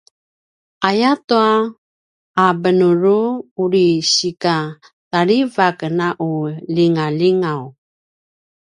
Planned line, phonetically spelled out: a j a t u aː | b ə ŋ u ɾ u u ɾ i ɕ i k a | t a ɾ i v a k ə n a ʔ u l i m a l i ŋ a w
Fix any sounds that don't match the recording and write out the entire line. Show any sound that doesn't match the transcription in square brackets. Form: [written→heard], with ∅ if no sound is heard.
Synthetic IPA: a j a t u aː | b ə [ŋ→n] u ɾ u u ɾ i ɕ i k a | t a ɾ i v a k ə n a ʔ u l i [m→ŋ] a l i ŋ a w